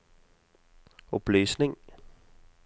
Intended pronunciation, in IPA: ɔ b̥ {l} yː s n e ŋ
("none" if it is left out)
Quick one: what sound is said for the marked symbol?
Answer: l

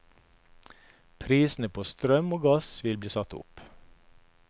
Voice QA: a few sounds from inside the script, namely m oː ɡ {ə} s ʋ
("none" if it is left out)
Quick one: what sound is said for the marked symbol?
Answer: ɑ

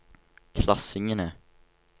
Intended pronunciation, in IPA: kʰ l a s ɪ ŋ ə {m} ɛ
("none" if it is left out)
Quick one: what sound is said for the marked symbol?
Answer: n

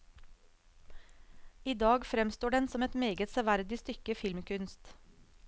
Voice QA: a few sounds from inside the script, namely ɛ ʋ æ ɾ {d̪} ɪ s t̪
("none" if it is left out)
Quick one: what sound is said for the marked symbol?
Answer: d̪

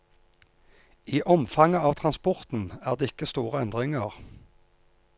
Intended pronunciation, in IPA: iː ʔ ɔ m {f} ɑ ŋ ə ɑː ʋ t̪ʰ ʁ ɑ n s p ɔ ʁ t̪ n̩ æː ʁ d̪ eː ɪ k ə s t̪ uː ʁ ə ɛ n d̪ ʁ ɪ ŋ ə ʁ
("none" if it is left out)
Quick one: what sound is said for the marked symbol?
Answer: f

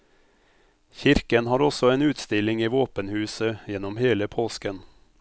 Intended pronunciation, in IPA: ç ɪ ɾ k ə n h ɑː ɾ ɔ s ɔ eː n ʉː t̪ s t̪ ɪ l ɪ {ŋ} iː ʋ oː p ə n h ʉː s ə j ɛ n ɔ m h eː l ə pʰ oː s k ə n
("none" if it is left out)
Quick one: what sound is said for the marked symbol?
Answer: ŋ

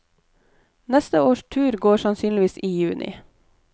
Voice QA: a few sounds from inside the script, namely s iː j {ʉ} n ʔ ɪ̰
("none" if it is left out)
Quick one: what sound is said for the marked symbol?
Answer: ʉː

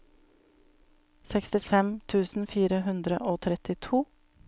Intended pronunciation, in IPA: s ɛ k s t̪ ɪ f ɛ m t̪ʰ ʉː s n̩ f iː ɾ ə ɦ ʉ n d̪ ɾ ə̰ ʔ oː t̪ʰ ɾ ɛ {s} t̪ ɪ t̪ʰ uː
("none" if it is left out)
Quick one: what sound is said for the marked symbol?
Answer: none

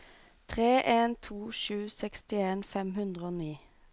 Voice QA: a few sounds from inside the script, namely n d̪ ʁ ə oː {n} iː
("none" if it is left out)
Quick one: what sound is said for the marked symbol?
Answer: n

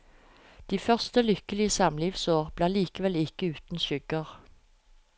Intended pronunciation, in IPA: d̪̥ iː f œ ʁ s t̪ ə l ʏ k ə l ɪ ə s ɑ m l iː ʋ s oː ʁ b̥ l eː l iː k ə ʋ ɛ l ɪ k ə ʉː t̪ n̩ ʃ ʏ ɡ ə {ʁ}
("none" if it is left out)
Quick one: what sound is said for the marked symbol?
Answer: ʁ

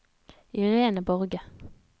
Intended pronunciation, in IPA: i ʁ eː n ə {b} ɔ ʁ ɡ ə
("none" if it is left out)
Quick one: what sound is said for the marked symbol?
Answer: b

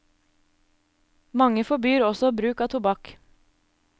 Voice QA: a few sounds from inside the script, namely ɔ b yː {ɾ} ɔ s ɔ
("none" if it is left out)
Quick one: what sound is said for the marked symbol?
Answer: ɾ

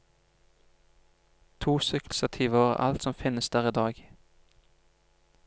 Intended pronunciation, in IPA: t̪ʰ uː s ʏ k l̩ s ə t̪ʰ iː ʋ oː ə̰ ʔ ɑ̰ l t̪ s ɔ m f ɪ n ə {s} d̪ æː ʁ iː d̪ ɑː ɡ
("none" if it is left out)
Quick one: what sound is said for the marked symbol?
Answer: s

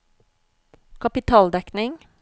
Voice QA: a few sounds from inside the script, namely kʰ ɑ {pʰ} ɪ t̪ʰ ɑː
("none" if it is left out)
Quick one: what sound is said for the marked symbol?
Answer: p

